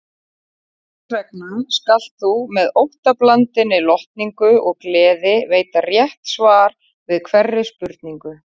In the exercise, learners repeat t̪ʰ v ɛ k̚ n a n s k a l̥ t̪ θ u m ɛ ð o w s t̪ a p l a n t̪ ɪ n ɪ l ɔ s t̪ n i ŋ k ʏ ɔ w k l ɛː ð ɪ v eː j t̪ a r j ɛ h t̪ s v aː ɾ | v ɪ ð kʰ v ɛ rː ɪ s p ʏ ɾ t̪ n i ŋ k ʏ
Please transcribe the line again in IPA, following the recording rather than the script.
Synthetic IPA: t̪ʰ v ɛ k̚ n a n s k a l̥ t̪ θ u m ɛ ð o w h t̪ a p l a n t̪ ɪ n ɪ l ɔ h t̪ n i ŋ k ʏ ɔ ɣ k l ɛː ð ɪ v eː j t̪ a r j ɛ h t̪ s v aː ɾ | v ɪ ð kʰ v ɛ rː ɪ s p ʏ ɾ t̪ n i ŋ k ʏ